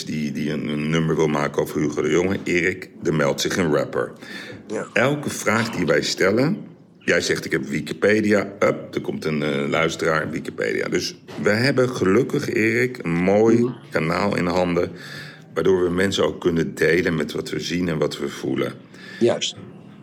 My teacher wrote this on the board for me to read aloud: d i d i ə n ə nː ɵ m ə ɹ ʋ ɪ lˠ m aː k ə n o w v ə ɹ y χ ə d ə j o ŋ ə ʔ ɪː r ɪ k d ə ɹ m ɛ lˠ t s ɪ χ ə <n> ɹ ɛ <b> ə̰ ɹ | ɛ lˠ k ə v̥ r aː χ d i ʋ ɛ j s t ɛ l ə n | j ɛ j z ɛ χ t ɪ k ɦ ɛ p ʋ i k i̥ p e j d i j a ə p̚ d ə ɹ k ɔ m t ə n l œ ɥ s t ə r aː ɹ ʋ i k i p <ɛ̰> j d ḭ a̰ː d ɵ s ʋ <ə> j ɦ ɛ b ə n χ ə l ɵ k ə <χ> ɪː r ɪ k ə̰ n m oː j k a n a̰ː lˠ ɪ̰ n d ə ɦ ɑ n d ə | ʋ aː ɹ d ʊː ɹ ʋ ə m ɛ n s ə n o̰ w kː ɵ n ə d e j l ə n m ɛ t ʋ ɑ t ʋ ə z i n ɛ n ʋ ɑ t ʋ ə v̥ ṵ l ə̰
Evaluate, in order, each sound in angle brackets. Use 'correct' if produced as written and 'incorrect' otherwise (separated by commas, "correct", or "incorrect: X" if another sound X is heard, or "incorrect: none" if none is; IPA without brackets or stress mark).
correct, incorrect: p, incorrect: ḛ, correct, correct